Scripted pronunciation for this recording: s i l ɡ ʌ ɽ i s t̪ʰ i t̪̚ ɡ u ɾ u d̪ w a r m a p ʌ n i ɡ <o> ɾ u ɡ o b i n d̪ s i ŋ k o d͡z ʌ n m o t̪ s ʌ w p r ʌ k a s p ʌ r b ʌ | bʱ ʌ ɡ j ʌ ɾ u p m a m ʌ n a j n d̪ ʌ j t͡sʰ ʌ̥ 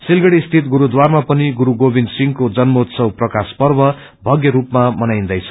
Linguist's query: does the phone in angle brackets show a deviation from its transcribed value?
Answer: yes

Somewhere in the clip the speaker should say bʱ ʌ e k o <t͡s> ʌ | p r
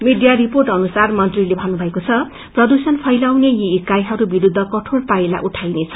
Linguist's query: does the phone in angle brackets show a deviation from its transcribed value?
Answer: yes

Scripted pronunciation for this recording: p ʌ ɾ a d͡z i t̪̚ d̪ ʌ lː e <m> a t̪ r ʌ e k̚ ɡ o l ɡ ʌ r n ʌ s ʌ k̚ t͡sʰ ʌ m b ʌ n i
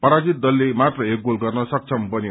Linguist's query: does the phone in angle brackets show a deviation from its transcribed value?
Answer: no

